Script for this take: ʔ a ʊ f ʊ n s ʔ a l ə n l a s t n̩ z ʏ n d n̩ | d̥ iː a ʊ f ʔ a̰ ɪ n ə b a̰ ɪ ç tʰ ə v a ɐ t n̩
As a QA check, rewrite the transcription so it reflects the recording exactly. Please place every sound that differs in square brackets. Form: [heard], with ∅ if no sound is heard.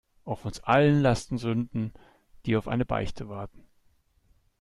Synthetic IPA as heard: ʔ a ʊ f ʊ n s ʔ a l ə n l a s t n̩ z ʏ n d n̩ | d̥ iː a ʊ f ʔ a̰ ɪ n ə b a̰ ɪ ç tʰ ə v a ɐ t n̩